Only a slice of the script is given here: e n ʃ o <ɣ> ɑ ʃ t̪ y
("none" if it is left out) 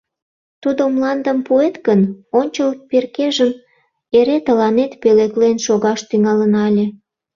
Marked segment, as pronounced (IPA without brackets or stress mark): ɣ